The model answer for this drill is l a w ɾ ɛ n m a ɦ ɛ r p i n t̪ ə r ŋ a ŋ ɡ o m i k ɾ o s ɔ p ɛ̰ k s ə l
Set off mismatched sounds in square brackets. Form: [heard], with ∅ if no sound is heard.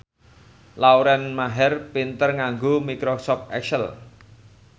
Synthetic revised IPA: l a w ɾ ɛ n m a ɦ ɛ r p i n t̪ ə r ŋ a ŋ ɡ o m i k ɾ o s ɔ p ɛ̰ k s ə l